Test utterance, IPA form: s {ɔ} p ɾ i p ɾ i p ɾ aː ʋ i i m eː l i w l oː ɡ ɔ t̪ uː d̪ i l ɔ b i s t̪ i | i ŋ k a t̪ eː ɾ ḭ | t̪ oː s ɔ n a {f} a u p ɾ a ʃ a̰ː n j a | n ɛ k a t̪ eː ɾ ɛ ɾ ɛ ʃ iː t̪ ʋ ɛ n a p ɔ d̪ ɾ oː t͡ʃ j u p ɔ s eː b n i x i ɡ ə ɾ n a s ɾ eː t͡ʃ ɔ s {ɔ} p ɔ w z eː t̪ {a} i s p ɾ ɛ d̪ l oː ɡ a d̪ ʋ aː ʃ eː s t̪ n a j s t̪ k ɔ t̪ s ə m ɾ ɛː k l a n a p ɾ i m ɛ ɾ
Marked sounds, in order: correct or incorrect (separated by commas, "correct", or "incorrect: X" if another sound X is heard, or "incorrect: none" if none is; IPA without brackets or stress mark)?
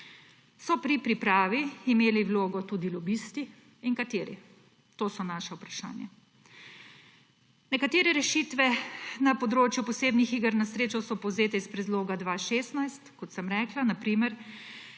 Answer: correct, incorrect: ʃ, correct, incorrect: ɛ